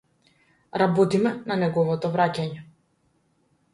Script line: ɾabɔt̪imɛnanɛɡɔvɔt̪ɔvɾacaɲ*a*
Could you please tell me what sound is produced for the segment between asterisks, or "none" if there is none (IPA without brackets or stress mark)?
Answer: ɛ